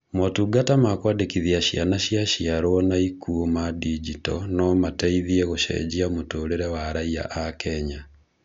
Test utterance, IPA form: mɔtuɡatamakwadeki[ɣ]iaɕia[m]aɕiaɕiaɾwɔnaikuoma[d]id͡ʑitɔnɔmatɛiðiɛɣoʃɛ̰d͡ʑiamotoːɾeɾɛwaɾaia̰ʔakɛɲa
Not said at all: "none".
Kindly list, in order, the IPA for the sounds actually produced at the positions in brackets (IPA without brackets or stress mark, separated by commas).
ð, n, d